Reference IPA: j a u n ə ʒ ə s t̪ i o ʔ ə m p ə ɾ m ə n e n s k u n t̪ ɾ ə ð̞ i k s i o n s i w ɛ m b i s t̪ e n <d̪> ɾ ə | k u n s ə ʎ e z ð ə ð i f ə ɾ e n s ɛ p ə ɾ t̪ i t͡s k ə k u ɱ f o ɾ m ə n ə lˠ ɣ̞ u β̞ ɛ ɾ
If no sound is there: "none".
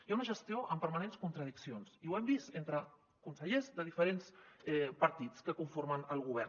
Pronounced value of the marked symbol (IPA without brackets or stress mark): t̪